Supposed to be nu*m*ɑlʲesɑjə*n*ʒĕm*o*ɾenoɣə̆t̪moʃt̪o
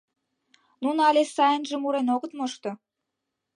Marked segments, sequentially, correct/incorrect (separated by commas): incorrect, correct, incorrect